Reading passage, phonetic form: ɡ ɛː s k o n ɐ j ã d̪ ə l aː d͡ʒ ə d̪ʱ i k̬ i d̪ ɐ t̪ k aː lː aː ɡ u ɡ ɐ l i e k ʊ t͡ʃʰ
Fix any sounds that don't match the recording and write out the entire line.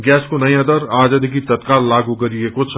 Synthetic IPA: ɡ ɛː s k o n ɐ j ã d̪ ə ɾ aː d͡ʒ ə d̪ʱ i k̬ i t̪ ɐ t̪ k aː lː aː ɡ u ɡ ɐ ɾ i e k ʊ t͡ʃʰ